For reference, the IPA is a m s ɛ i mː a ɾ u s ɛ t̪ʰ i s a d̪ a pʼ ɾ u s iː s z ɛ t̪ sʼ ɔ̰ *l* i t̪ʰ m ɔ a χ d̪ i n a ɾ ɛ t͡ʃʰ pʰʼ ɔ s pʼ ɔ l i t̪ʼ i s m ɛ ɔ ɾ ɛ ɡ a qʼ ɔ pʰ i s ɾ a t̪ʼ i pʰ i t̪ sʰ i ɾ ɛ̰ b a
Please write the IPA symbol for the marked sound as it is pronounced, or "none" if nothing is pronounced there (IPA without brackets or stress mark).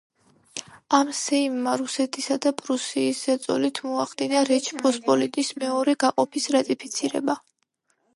l